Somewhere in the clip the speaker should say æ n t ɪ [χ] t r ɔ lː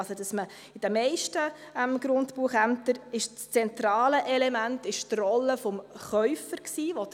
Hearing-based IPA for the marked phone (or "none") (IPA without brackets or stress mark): ʃ